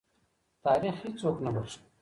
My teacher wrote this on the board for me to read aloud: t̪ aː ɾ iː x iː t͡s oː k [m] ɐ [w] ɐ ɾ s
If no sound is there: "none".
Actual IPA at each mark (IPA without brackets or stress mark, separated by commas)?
n, b